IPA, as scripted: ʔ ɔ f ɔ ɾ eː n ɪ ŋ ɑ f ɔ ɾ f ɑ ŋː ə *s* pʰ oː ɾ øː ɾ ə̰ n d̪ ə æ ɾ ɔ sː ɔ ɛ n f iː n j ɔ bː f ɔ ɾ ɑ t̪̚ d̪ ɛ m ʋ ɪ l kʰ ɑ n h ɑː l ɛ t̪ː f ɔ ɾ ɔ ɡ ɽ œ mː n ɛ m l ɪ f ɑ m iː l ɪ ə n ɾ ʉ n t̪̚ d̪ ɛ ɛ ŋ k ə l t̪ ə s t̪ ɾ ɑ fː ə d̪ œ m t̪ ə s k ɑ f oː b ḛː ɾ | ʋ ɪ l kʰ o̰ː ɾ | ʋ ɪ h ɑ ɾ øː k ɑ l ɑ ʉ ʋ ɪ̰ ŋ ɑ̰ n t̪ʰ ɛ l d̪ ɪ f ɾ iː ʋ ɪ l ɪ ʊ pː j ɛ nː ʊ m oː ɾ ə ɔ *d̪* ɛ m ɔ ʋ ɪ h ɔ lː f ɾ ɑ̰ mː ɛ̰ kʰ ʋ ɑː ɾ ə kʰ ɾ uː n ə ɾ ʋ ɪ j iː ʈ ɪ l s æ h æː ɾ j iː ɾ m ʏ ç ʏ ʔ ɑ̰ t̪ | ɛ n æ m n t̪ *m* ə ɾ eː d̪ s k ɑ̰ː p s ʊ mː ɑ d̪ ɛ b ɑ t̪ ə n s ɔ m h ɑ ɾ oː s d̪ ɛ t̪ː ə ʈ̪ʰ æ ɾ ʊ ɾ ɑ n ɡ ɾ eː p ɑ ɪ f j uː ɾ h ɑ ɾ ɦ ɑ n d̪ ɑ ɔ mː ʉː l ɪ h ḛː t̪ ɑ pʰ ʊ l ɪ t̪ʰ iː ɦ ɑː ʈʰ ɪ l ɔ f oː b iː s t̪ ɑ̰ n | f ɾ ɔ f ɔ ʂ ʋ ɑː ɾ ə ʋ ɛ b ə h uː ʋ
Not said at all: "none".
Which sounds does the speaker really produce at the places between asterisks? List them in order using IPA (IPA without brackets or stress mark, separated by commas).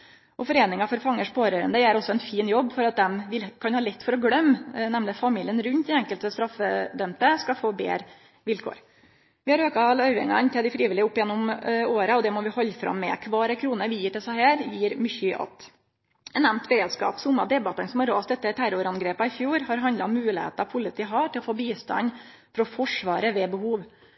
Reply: ʂ, d̪, b